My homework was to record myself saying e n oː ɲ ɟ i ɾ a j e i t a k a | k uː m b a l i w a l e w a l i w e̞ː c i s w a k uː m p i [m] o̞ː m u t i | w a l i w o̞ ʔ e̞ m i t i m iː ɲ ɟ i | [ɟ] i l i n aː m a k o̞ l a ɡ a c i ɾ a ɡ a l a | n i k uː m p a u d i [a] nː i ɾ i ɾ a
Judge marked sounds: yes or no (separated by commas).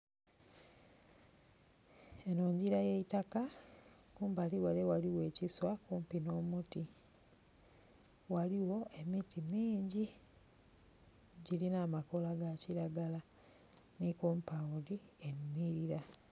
no, yes, no